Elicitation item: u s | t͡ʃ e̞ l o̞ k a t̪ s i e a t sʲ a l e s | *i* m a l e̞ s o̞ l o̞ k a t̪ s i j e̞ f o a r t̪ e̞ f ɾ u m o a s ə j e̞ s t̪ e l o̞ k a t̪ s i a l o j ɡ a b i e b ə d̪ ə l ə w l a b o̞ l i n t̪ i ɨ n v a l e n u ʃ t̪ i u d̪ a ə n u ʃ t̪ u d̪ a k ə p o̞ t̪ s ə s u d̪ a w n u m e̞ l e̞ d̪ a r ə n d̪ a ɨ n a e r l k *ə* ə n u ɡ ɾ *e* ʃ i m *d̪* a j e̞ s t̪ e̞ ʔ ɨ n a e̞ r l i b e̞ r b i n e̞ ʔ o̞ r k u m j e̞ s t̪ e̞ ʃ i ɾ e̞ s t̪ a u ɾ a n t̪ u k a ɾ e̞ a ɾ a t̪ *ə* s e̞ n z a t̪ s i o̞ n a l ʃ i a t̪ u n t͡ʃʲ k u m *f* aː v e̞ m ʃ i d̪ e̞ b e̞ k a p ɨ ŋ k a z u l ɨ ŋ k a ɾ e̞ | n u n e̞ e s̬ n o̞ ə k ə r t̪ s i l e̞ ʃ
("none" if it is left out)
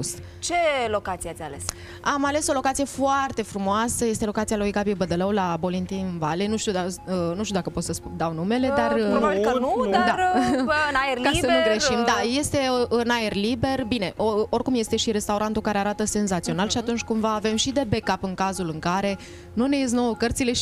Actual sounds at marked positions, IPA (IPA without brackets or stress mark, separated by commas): a, a, e, d̪, ə, v